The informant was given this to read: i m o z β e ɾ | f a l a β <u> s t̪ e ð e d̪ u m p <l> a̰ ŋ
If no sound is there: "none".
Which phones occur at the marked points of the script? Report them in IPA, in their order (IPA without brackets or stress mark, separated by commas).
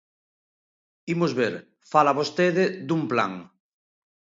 o, l